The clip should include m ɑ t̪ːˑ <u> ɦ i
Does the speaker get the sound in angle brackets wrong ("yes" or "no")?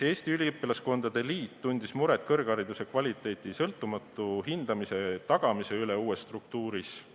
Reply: no